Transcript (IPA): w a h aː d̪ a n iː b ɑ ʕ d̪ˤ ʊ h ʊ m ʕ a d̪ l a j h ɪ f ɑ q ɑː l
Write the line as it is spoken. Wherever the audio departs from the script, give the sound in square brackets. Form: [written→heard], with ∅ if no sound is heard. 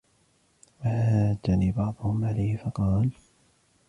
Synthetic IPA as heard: w a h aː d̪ a n iː b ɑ ʕ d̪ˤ ʊ h ʊ m ʕ a [d̪→∅] l a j h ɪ f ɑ q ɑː l